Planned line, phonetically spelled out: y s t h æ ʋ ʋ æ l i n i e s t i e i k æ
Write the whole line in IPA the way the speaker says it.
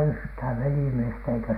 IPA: y h t h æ ʋ ʋ e l i m i e s t æ e i k æ